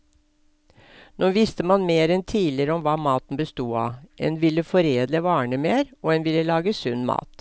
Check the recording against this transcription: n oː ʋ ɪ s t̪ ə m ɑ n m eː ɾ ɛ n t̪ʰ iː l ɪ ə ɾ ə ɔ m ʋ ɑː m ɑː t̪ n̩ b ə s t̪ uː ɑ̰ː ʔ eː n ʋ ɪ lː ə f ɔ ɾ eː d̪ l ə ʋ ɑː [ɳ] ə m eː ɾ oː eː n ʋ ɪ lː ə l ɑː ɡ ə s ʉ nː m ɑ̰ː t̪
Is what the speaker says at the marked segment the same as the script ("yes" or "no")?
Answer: yes